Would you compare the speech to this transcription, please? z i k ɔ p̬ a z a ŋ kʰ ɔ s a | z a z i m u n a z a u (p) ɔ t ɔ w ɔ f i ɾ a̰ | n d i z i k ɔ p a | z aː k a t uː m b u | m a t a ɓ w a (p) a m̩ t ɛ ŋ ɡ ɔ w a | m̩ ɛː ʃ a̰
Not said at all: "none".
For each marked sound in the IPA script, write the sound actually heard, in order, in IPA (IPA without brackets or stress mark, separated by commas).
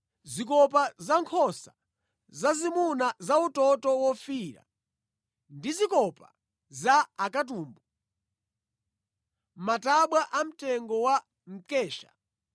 t, ʔ